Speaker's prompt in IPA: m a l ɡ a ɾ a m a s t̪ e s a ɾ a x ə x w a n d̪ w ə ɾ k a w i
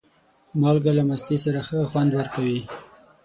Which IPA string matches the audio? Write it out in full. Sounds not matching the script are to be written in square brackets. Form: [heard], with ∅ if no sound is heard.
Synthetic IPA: m [ɑ] l ɡ a [l] a m a s t̪ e s a ɾ a x ə x w a n d̪ w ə ɾ k a w i